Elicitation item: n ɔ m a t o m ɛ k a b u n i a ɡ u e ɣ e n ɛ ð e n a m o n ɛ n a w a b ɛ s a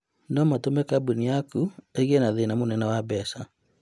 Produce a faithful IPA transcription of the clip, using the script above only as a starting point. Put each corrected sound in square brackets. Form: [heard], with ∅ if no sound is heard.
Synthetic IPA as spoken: n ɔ m a t o m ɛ k a b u n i a [k] u e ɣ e n [a] ð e n a m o n ɛ n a w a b ɛ s a